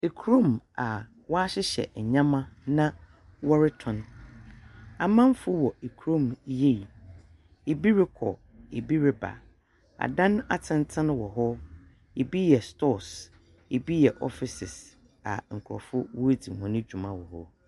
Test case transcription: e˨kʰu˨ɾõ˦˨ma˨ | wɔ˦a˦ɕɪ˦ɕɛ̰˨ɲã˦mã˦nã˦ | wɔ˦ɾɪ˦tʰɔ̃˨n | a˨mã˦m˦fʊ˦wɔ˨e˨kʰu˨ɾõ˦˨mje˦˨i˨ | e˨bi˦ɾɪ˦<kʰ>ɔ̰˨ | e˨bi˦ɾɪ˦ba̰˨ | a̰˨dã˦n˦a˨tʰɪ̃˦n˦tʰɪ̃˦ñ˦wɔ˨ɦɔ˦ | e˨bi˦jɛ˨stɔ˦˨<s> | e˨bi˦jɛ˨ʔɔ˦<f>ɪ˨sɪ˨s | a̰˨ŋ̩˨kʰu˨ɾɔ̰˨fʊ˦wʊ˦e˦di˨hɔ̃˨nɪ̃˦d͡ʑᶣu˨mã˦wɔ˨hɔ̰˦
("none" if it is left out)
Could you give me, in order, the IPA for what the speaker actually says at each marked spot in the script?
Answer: kʰ, s, f

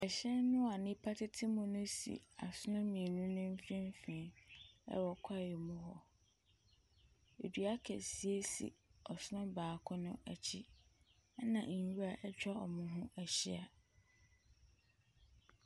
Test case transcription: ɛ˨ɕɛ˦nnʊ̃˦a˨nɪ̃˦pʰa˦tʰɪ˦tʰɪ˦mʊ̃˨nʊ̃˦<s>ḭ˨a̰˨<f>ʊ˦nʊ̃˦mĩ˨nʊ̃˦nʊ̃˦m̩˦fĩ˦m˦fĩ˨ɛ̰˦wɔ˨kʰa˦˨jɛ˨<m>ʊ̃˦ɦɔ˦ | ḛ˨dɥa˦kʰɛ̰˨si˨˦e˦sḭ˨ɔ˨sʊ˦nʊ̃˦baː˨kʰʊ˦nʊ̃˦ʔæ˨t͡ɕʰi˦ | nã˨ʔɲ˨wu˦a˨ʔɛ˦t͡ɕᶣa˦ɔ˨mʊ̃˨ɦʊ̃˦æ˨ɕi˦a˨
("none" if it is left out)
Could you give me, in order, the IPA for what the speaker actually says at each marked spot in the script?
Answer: s, s, m

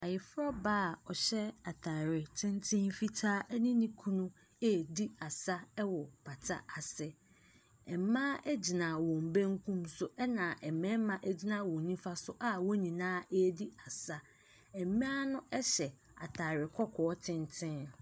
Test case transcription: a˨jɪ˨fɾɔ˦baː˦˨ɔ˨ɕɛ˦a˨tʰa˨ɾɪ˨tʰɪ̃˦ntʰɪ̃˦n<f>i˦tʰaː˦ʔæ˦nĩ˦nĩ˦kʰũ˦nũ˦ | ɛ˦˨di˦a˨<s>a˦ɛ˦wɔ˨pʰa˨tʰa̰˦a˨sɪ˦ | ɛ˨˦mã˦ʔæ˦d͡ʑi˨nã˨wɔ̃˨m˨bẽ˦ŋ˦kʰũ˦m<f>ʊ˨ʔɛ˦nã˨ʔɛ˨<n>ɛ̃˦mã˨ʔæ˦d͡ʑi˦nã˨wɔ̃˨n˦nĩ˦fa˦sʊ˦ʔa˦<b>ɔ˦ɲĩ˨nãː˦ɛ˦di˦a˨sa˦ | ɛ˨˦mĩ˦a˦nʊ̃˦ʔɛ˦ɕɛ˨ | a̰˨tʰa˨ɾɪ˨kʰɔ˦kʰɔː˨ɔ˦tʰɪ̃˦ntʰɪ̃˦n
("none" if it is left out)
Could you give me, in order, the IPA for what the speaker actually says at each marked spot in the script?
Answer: f, s, s, m, w

